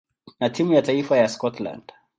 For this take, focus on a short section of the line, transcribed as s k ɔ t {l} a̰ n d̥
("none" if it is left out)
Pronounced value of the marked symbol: l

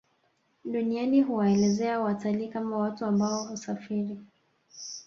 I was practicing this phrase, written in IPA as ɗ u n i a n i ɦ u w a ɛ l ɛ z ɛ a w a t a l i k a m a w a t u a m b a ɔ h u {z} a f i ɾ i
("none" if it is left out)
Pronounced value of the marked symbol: s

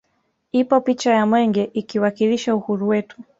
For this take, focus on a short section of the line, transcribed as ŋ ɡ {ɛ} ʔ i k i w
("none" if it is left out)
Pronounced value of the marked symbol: ɛ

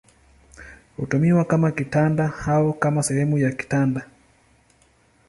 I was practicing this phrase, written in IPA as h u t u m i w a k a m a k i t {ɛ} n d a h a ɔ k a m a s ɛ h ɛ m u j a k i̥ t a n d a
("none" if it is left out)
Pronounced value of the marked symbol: a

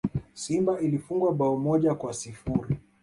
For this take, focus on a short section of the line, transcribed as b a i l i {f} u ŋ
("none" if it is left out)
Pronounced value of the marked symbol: f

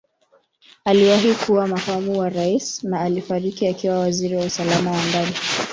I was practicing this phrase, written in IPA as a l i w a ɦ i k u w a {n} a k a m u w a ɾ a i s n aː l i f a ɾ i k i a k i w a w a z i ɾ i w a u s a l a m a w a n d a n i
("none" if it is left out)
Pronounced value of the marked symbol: m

